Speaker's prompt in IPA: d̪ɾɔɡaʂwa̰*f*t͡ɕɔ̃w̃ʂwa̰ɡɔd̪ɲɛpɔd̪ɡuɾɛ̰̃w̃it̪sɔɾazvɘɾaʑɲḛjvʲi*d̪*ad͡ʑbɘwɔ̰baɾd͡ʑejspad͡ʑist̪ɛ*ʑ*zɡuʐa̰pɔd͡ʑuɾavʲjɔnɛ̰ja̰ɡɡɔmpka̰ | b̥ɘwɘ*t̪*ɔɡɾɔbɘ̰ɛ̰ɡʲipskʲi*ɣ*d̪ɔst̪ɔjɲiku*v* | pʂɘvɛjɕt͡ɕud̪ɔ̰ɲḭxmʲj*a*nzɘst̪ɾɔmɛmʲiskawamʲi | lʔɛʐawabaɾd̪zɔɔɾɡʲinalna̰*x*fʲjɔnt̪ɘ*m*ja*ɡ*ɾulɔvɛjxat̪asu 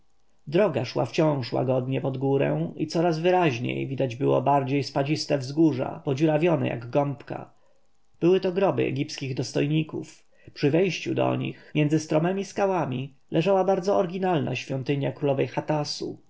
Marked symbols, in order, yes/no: yes, yes, no, yes, yes, no, no, no, no, no

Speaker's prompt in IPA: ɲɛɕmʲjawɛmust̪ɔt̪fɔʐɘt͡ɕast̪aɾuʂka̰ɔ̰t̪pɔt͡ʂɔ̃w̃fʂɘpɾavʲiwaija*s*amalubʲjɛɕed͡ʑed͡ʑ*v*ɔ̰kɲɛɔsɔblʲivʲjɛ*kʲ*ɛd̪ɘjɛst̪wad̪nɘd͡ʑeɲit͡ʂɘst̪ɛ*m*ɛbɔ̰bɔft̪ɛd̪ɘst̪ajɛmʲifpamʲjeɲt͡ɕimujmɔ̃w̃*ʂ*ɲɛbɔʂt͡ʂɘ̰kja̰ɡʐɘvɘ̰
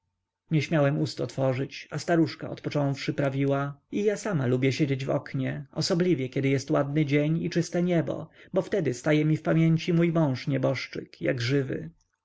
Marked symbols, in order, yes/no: yes, yes, yes, no, yes

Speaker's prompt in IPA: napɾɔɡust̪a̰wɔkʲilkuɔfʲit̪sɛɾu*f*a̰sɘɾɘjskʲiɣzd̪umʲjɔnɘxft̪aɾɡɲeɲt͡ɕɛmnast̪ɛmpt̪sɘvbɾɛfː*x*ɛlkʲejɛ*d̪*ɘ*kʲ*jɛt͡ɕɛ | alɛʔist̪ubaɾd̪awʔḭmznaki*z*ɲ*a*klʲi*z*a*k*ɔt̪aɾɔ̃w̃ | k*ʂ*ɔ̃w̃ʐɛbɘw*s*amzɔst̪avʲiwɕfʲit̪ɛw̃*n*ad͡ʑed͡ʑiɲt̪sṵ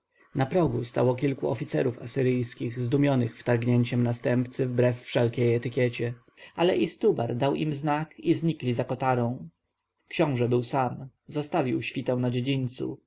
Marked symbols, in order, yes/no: yes, no, no, yes, yes, no, yes, yes, no, yes, yes

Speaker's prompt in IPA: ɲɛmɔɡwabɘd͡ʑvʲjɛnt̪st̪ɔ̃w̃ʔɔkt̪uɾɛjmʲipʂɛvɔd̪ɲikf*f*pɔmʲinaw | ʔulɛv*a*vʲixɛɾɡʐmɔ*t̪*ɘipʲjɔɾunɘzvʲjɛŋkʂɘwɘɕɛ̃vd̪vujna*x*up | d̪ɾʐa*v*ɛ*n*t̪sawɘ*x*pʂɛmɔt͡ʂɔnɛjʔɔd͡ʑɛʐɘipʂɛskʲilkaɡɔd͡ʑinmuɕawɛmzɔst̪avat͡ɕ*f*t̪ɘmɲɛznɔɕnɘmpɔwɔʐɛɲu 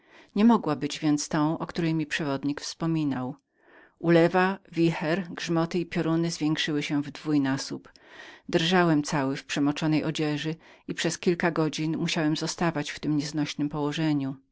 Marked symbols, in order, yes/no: no, yes, yes, no, no, no, no, yes

